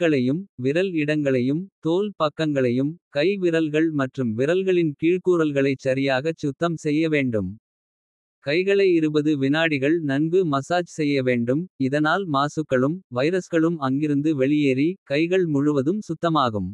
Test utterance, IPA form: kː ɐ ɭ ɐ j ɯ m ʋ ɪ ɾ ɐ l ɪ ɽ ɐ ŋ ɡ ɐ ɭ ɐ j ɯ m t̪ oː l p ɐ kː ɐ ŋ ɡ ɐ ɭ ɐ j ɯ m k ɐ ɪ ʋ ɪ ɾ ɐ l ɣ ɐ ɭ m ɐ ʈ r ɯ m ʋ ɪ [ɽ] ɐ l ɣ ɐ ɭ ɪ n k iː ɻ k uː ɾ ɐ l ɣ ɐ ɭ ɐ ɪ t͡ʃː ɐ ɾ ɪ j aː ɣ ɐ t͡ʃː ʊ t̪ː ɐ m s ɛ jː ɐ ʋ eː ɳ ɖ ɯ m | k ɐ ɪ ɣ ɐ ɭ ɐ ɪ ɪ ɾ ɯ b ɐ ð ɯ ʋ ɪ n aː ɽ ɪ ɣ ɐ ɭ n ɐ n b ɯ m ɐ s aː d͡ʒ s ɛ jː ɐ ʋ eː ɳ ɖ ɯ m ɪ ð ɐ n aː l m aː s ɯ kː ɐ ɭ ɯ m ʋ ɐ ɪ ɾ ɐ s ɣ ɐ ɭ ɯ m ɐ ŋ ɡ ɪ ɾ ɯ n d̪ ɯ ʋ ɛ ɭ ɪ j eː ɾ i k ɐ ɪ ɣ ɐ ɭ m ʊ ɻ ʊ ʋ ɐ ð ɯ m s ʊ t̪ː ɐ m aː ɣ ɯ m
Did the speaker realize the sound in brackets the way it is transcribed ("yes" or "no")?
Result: no